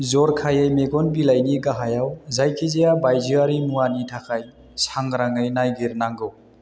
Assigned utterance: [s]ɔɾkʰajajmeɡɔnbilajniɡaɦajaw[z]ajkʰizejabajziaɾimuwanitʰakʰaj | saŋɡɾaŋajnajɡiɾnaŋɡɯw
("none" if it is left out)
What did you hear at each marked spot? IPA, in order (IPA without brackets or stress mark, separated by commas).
z, z